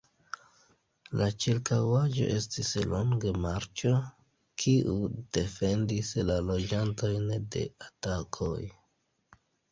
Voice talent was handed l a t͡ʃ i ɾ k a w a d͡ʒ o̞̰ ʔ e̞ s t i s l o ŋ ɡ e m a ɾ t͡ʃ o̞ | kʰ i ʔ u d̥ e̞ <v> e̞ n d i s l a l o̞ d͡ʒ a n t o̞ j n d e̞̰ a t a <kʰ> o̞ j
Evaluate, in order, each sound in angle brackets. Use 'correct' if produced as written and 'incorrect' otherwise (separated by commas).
incorrect, correct